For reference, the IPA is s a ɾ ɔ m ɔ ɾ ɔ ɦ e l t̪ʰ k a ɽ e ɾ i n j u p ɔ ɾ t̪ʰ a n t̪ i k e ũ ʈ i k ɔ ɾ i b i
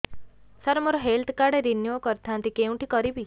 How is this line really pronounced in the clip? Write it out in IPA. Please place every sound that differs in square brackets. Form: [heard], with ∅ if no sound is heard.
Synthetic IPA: s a ɾ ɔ m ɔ ɾ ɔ ɦ e l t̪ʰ k a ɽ e ɾ i n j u [k] ɔ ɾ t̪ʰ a n t̪ i k e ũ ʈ i k ɔ ɾ i b i